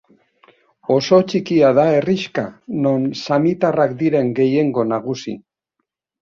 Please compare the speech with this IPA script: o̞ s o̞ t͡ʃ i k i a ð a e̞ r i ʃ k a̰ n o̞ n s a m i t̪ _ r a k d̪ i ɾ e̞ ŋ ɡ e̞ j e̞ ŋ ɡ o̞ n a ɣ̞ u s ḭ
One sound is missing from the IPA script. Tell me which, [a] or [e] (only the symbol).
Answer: a